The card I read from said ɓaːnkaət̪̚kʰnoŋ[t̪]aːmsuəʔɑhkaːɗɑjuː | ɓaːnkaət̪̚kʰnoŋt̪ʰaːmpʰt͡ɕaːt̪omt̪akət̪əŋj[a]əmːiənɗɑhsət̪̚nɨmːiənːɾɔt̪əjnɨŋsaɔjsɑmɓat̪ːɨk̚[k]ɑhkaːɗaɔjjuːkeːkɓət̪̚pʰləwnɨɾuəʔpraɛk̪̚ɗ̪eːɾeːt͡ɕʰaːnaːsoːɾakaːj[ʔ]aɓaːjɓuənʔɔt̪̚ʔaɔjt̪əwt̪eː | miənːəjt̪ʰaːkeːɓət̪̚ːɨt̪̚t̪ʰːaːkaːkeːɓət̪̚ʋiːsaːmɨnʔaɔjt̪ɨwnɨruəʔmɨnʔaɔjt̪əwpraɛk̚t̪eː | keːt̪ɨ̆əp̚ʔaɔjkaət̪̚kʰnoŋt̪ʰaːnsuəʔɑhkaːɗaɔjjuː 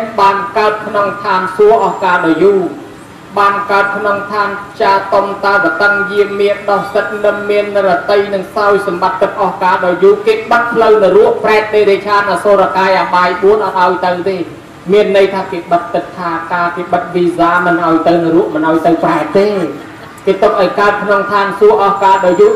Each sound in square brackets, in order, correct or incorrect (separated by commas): incorrect, incorrect, incorrect, correct